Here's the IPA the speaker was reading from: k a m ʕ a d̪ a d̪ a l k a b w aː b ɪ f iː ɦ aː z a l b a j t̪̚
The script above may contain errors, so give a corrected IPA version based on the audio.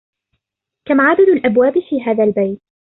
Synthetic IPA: k a m ʕ a d̪ a d̪ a l ʔ a b w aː b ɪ f iː ɦ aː ð a l b a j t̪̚

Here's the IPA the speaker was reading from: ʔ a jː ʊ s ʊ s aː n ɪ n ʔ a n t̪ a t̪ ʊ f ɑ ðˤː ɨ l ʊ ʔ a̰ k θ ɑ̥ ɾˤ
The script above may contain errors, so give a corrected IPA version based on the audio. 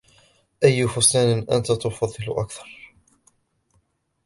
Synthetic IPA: ʔ a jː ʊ f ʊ s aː n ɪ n ʔ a n t̪ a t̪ ʊ f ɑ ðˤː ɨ l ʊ ʔ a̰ k θ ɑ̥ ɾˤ

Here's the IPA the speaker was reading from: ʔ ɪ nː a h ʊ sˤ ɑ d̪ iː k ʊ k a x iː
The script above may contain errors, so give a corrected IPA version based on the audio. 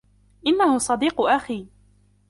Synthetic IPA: ʔ ɪ nː a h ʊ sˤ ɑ d̪ iː q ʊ ʔ a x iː

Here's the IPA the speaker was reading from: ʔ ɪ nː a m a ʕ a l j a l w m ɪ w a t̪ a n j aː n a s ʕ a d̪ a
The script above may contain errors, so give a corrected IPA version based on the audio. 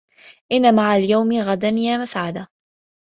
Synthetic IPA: ʔ ɪ nː a m a ʕ a l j a w m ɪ ɣ a d̪ a n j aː m a s ʕ a d̪ a

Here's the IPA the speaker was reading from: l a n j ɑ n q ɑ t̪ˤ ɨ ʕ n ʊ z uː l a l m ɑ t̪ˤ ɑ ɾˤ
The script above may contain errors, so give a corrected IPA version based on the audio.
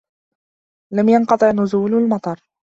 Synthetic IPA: l a m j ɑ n q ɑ t̪ˤ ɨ ʕ n ʊ z uː l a l m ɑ t̪ˤ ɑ ɾˤ

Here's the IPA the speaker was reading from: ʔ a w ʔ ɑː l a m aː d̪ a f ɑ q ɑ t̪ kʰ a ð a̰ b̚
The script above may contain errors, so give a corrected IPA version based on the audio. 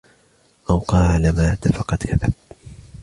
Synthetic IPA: ʔ a w q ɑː l a m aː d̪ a f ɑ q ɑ t̪ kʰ a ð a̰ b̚

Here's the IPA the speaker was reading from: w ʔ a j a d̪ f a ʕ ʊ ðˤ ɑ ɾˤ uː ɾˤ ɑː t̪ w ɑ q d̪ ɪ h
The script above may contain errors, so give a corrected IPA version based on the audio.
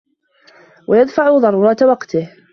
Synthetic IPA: w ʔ a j a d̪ f a ʕ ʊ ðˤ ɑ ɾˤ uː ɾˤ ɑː t̪ w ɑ q t̪ ɪ h

